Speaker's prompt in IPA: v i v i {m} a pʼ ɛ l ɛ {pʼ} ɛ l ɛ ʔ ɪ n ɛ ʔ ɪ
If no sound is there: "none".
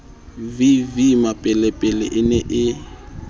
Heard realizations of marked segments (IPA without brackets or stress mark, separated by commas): m, pʼ